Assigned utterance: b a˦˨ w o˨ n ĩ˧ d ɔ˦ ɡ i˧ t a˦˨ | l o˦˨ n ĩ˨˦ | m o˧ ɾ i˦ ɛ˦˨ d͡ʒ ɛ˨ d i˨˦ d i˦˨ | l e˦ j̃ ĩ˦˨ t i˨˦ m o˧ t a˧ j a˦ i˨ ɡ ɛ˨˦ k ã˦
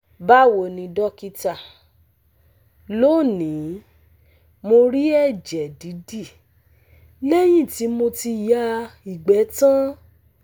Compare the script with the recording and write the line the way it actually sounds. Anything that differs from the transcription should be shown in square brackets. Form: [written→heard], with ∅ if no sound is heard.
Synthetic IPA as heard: b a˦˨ w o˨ n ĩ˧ d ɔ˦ [ɡ→k] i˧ t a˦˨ | l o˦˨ n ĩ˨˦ | m o˧ ɾ i˦ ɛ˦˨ d͡ʒ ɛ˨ d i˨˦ d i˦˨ | l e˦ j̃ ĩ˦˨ t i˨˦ m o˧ t [a˧→i˧] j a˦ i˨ [ɡ→ɡ͡b] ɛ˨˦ [k→t] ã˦